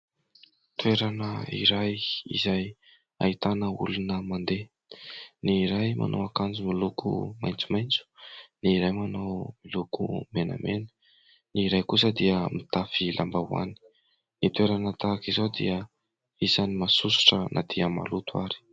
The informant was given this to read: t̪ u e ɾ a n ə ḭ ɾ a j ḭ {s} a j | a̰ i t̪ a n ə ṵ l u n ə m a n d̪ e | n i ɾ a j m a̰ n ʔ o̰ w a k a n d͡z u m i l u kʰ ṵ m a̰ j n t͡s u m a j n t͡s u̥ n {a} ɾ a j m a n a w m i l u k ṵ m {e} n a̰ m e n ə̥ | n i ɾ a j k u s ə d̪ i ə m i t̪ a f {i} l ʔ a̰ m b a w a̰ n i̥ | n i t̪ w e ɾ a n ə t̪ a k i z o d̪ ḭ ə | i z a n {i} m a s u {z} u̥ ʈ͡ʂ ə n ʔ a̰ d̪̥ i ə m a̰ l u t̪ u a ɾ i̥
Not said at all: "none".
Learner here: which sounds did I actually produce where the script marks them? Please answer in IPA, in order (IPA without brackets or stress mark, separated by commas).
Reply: z, i, e, i, i, s